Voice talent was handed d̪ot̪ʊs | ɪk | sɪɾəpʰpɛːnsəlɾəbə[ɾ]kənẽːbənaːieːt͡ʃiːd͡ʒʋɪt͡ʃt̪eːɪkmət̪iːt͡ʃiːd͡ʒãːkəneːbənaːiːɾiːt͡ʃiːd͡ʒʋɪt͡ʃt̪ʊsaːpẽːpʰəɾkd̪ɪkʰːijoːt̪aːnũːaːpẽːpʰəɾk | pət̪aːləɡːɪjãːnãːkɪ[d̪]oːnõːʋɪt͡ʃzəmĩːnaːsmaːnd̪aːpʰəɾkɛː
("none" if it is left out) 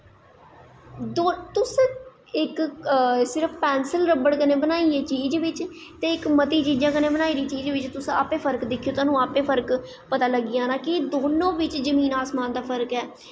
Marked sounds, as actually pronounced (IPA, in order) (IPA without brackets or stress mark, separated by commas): ɽ, d̪